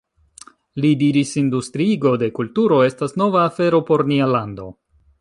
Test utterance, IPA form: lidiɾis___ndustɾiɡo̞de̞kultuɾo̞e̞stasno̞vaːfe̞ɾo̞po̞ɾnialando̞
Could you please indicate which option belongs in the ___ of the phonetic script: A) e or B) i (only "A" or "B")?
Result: B